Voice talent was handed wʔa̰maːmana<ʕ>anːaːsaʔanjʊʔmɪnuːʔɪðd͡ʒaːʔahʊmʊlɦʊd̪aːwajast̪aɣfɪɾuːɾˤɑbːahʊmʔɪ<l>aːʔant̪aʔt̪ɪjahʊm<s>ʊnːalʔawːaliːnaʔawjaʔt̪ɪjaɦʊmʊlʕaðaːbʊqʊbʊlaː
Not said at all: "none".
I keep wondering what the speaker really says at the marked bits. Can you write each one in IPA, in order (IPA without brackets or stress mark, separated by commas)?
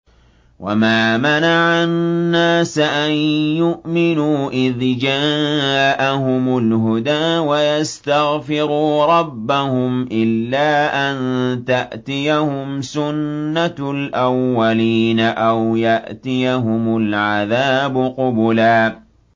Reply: ʕ, lː, s